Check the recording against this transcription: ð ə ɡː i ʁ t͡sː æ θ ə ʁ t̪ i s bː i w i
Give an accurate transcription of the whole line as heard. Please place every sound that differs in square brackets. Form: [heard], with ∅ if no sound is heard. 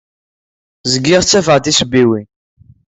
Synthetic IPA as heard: [z] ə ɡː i ʁ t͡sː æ [f] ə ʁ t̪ i s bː i w i

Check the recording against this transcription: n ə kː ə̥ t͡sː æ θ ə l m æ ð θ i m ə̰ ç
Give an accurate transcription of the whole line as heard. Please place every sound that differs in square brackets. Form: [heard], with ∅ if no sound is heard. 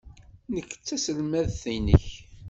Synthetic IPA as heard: n ə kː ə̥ t͡sː æ [s] ə l m æ ð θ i [n] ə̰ ç

